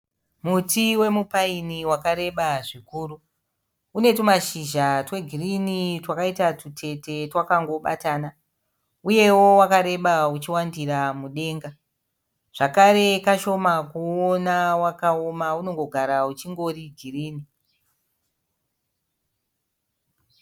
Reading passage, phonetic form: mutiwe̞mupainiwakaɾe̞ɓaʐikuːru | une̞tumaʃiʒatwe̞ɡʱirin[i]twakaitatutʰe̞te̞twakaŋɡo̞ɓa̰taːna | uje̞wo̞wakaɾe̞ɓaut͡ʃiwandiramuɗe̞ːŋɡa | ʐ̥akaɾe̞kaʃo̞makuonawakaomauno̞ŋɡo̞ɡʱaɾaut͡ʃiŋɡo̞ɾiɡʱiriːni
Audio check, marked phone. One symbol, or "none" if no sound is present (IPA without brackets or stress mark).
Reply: i